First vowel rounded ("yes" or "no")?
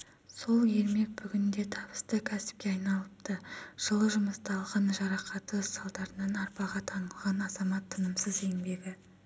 yes